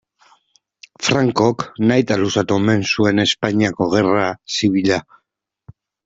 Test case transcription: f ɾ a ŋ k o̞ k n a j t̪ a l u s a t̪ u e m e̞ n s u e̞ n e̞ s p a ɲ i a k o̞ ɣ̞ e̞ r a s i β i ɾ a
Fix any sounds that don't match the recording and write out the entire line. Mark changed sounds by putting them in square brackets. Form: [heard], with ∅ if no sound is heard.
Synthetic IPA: f ɾ a ŋ k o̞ k n a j t̪ a l u s a t̪ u e m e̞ n s u e̞ n e̞ s p a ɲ i a k o̞ ɣ̞ e̞ r a s i β i [ʎ] a

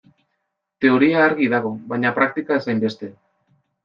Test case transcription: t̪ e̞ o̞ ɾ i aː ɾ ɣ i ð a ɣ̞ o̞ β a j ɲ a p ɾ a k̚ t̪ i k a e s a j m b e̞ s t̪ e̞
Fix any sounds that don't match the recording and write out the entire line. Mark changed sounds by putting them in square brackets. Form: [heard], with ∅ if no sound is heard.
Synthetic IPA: t̪ e̞ o̞ ɾ i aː ɾ ɣ i ð a ɣ̞ o̞ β a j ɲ a p ɾ a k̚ t̪ i k a e s a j m b e̞ s t̪ e̞

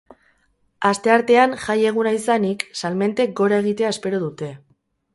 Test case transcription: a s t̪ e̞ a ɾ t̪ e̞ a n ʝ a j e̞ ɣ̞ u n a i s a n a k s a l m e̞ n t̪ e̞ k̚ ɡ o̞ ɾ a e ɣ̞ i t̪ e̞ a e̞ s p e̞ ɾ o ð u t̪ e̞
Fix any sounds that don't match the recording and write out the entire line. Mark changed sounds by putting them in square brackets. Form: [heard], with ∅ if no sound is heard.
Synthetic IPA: a s t̪ e̞ a ɾ t̪ e̞ a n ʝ a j e̞ ɣ̞ u n a i s a n [i] k s a l m e̞ n t̪ e̞ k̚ ɡ o̞ ɾ a e ɣ̞ i t̪ e̞ a e̞ s p e̞ ɾ o ð u t̪ e̞

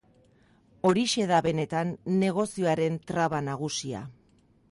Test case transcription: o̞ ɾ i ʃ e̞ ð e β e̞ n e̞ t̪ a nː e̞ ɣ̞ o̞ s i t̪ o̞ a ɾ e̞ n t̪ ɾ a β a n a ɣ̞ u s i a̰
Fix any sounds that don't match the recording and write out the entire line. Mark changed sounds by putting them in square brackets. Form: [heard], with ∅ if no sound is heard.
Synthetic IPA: o̞ ɾ i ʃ e̞ ð [a] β e̞ n e̞ t̪ a nː e̞ ɣ̞ o̞ s i [∅] o̞ a ɾ e̞ n t̪ ɾ a β a n a ɣ̞ u s i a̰

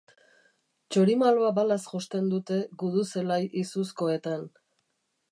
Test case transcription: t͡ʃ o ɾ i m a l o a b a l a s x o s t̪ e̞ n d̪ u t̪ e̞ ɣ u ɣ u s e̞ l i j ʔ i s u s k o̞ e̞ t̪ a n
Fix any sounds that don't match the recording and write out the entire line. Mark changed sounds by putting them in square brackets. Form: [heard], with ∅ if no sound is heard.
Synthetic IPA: t͡ʃ o ɾ i m a l o a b a l a s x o s t̪ e̞ n d̪ u t̪ e̞ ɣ u [ð] u s e̞ l [a] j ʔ i s u s k o̞ e̞ t̪ a n

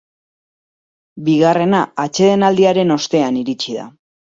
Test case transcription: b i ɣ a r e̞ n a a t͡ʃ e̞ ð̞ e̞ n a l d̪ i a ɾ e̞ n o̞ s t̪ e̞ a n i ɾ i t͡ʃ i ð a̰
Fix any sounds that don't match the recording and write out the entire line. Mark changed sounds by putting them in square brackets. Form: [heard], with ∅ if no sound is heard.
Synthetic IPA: b i ɣ a r e̞ n a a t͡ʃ e̞ ð̞ e̞ n a l d̪ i a ɾ e̞ n o̞ s t̪ e̞ a n i ɾ i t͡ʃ i ð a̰

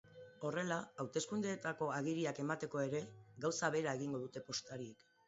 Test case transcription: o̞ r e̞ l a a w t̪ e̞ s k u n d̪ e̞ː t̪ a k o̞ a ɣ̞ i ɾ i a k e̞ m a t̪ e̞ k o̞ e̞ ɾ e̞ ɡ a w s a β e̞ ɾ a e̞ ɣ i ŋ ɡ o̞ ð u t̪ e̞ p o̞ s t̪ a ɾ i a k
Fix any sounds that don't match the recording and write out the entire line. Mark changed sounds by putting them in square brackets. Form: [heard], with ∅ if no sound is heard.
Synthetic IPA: o̞ r e̞ l a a w t̪ e̞ s k u n d̪ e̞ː t̪ a k o̞ a ɣ̞ i ɾ i a k e̞ m a t̪ e̞ k o̞ e̞ ɾ e̞ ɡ a w s a β e̞ ɾ a e̞ ɣ i ŋ ɡ o̞ ð u t̪ e̞ p o̞ s t̪ a ɾ i [e] k

